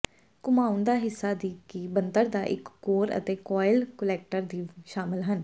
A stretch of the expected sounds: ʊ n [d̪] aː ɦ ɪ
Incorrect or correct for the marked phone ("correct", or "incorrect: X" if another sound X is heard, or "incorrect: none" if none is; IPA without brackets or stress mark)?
correct